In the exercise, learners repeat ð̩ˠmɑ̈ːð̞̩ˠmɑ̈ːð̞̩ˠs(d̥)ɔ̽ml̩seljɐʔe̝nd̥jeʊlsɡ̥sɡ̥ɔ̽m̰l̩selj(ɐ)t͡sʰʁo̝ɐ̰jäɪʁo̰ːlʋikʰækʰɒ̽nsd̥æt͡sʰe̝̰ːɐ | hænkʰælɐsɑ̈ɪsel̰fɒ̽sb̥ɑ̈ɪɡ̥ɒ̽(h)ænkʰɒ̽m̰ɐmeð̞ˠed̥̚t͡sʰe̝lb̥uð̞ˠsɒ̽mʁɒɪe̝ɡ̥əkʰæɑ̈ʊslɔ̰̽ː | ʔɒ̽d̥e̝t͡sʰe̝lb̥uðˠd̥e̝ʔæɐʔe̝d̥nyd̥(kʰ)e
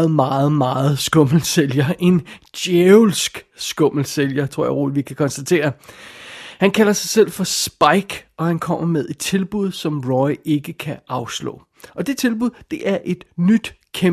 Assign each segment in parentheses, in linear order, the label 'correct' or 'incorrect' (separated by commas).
incorrect, correct, correct, correct